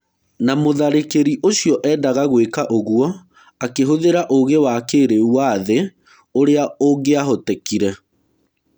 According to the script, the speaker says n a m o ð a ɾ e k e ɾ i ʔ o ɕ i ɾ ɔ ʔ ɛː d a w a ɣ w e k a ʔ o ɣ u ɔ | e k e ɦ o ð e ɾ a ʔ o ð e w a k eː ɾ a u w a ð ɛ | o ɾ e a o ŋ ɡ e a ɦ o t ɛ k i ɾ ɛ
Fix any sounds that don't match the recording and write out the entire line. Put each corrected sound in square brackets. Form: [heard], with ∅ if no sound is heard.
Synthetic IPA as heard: n a m o ð a ɾ e k e ɾ i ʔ o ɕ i [∅] ɔ ʔ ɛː d a [ɣ] a ɣ w e k a ʔ o ɣ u ɔ | [a] k e ɦ o ð e ɾ a ʔ o [ɣ] e w a k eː ɾ [e] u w a ð [e] | o ɾ e a o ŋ ɡ e a ɦ o t ɛ k i ɾ ɛ